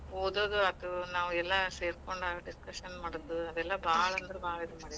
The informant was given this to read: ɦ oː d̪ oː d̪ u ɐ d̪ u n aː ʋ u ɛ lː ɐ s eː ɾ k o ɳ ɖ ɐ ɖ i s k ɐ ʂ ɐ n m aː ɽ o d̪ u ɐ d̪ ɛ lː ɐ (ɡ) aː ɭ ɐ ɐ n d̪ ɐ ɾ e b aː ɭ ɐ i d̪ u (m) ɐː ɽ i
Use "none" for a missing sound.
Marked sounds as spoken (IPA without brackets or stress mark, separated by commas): b, m